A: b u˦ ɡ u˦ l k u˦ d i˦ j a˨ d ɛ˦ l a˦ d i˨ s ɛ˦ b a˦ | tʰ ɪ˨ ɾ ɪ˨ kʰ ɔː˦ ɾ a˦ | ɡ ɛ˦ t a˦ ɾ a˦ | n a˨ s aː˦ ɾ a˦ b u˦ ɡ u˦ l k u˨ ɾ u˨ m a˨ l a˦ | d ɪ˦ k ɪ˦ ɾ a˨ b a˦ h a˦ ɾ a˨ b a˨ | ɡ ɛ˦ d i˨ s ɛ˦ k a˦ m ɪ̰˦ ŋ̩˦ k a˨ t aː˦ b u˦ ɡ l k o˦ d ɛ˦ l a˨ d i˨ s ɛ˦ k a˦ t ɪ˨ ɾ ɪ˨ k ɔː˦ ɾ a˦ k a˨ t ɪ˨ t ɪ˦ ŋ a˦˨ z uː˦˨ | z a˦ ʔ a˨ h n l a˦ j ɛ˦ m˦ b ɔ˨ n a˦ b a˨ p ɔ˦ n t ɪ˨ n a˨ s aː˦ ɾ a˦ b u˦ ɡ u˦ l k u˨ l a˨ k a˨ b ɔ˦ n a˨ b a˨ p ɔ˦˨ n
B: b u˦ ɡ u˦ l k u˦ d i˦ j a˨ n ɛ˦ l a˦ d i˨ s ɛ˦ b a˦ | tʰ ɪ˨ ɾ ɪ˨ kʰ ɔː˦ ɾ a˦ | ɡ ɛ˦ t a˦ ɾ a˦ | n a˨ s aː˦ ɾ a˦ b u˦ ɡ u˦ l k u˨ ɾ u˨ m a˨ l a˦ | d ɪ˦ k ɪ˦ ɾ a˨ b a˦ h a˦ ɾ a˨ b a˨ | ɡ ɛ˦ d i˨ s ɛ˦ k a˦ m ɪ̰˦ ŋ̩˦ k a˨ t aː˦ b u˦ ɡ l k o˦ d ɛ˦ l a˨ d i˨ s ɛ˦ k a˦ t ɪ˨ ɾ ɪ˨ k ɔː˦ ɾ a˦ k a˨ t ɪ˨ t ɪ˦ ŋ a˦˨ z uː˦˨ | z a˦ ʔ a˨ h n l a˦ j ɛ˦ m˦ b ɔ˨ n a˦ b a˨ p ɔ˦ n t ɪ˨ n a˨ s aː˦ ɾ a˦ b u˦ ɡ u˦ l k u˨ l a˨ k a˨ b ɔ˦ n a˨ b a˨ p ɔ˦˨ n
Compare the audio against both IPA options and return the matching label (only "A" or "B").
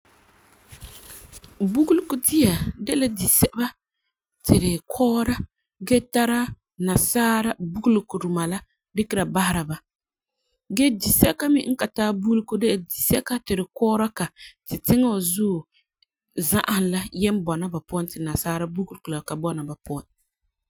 A